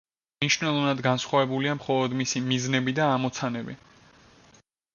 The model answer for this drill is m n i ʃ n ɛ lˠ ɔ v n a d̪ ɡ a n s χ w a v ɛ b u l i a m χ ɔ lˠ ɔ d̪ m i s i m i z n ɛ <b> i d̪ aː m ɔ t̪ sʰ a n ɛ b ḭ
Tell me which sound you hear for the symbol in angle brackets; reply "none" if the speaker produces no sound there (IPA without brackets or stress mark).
b